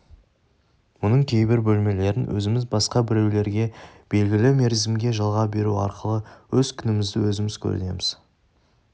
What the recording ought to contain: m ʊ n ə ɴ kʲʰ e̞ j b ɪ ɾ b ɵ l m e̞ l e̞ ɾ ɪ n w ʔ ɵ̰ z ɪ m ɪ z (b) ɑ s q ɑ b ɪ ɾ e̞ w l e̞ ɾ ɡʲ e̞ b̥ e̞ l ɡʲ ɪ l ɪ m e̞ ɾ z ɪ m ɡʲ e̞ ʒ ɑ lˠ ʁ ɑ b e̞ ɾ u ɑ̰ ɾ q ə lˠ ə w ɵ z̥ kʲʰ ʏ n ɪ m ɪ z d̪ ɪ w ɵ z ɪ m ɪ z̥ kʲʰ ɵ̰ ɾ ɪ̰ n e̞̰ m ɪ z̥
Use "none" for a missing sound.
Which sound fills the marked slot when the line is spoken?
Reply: b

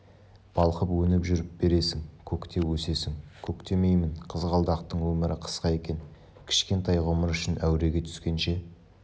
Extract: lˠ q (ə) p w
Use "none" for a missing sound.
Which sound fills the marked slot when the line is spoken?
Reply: ə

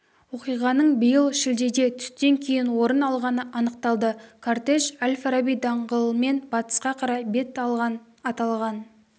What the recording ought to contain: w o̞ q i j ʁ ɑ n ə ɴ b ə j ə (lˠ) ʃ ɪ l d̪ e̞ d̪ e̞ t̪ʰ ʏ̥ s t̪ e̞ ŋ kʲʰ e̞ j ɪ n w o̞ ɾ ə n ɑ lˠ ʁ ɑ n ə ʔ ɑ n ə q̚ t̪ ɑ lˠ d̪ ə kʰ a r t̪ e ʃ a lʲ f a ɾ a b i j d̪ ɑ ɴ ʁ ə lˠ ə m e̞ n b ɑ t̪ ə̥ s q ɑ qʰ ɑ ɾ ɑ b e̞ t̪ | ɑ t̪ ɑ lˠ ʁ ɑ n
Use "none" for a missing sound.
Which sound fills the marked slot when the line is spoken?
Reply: lˠ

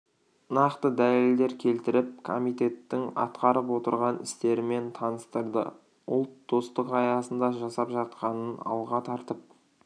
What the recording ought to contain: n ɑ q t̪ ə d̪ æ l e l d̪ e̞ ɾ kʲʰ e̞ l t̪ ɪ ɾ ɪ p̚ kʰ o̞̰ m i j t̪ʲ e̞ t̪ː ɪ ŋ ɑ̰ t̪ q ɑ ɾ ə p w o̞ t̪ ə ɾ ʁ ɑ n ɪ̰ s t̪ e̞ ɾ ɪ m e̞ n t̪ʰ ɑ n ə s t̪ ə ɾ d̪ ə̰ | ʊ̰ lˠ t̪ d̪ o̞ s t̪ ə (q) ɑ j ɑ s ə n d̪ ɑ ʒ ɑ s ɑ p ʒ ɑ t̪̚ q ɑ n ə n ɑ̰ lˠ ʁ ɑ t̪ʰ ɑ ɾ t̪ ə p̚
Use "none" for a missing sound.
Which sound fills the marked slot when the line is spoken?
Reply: q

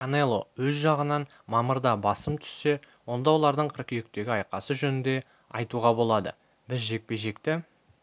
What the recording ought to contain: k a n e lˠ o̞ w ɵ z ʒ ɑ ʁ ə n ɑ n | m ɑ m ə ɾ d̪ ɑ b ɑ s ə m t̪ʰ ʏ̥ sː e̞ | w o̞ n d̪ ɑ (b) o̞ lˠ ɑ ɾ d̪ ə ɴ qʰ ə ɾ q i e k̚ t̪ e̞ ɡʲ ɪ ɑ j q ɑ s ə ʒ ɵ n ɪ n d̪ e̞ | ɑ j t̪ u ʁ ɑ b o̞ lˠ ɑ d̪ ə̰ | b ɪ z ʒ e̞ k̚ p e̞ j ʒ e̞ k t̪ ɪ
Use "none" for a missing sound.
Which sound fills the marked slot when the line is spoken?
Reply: w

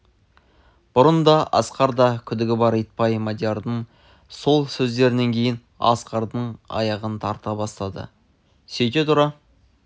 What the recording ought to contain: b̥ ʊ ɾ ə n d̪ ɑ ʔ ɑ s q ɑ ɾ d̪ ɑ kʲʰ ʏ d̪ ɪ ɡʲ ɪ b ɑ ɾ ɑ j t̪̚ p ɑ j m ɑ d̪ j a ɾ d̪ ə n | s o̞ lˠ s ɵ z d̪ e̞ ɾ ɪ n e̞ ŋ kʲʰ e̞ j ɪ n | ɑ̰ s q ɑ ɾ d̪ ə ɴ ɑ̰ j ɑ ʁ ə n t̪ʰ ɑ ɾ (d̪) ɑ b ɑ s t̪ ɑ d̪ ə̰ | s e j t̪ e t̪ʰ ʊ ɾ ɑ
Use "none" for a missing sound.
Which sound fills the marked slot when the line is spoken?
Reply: t̪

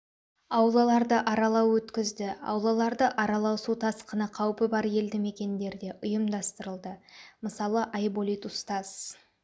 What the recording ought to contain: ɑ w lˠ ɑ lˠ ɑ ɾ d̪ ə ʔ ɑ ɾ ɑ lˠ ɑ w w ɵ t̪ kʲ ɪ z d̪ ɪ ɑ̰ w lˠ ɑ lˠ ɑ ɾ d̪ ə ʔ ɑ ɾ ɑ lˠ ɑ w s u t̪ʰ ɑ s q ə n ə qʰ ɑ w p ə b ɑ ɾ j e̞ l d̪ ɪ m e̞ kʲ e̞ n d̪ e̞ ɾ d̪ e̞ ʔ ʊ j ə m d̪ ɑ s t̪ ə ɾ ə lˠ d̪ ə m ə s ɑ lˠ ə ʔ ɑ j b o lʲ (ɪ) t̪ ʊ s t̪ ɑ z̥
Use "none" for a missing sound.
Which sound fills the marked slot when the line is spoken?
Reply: i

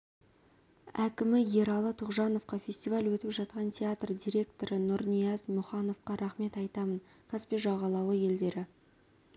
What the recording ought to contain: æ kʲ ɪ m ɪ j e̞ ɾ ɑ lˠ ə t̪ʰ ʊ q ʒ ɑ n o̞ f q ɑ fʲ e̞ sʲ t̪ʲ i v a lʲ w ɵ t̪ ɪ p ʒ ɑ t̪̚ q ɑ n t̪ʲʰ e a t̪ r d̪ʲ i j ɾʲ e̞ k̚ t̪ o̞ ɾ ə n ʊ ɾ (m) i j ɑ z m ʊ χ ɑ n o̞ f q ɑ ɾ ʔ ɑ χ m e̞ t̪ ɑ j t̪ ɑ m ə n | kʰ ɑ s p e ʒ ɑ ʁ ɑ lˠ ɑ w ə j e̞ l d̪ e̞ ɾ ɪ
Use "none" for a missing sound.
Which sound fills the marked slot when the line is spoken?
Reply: n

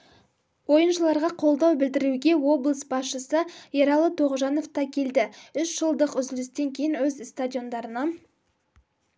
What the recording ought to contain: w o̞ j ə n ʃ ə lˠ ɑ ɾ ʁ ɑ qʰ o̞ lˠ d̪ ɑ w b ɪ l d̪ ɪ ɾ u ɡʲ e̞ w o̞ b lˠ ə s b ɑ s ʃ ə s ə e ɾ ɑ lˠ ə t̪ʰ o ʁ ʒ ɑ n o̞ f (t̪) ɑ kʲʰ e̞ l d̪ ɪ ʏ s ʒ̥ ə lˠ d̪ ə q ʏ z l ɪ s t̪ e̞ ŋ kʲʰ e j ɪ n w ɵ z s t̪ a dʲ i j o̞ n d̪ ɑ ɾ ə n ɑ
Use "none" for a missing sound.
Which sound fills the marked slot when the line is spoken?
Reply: t̪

